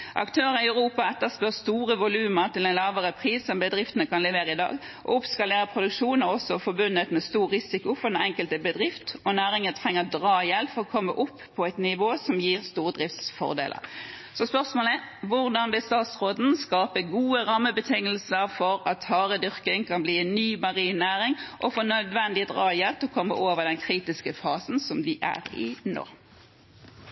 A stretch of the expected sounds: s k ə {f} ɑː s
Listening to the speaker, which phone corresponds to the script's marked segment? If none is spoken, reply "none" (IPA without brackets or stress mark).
f